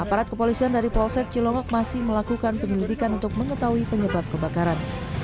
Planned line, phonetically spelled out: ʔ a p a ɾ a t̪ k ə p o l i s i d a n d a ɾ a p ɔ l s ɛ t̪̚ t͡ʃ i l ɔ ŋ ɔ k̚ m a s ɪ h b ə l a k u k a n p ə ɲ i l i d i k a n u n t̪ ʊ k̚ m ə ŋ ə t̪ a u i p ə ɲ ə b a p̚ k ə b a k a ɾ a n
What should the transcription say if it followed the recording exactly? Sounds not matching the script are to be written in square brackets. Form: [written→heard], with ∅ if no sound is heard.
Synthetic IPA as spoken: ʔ a p a ɾ a t̪ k ə p o l i s i [d→∅] a n d a ɾ [a→i] p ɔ l s ɛ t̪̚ t͡ʃ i l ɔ ŋ ɔ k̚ m a s ɪ h [b→m] ə l a k u k a n p ə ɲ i l i d i k a n u n t̪ ʊ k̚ m ə ŋ ə t̪ a u i p ə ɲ ə b a p̚ k ə b a k a ɾ a n